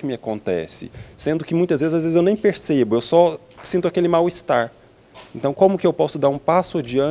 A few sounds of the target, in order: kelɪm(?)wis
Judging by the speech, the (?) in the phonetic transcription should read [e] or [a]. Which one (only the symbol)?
a